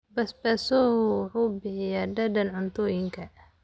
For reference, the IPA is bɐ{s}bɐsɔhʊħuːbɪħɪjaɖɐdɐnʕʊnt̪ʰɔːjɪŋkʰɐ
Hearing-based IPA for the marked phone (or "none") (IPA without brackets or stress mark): s